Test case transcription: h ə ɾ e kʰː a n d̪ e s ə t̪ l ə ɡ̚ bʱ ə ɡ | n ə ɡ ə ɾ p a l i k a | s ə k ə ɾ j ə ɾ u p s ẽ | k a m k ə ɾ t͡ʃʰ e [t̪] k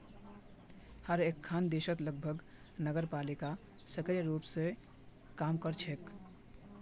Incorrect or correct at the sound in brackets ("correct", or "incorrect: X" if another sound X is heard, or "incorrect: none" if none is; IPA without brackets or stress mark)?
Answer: incorrect: none